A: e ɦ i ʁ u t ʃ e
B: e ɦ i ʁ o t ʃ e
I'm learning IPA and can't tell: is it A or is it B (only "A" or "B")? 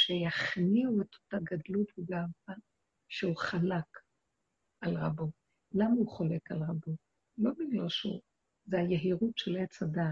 A